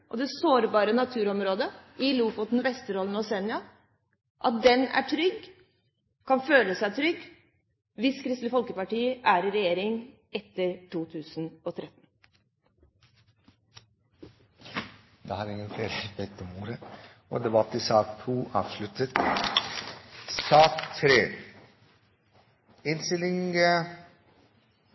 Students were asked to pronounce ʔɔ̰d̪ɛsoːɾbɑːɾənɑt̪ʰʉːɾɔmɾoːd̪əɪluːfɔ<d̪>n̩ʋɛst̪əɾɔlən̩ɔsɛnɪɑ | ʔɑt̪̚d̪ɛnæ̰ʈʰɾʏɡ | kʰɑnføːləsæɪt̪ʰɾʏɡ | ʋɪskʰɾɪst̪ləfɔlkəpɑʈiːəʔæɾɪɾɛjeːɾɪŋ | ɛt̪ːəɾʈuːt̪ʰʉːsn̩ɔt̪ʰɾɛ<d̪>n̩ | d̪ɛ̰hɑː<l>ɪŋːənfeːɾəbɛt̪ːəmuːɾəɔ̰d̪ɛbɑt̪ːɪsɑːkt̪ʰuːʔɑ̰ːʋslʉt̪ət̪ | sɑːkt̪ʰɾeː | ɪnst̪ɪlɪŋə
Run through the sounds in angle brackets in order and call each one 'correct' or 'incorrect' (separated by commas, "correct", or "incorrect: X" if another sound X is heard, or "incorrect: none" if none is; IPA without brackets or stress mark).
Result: incorrect: t̪, incorrect: t̪, incorrect: ɾ